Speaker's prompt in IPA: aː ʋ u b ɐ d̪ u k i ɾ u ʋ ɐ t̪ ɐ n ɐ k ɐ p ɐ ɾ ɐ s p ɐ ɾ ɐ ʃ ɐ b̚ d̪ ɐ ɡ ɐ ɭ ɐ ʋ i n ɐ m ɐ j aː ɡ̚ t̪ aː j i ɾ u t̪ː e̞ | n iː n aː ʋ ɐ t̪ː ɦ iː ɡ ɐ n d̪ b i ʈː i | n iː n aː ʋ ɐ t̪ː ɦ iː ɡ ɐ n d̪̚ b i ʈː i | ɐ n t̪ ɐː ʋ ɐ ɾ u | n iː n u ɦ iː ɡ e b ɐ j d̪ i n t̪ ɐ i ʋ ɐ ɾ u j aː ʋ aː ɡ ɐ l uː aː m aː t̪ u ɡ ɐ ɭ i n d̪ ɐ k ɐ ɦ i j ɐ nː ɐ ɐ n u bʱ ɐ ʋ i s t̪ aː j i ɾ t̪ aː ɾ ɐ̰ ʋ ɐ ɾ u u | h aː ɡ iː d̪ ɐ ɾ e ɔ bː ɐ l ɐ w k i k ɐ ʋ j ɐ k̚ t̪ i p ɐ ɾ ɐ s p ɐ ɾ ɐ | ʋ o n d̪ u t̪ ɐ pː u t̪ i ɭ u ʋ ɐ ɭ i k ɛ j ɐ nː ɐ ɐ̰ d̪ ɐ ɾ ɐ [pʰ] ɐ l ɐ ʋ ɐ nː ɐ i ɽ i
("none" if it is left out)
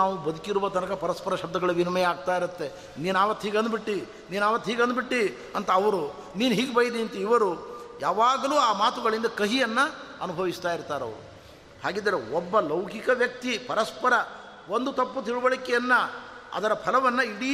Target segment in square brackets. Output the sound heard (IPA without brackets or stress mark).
pʰ